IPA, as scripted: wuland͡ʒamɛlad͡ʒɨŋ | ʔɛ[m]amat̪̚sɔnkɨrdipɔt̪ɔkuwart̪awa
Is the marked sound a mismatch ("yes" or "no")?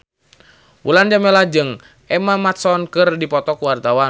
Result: no